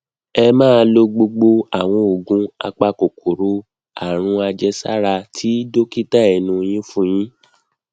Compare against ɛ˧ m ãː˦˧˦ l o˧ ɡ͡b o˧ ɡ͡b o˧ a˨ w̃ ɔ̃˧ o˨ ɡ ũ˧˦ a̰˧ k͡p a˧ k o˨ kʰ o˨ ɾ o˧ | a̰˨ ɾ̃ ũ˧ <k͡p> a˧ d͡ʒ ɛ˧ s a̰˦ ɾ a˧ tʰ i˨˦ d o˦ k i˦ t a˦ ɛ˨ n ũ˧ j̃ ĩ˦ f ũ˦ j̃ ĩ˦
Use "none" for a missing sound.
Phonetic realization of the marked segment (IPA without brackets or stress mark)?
none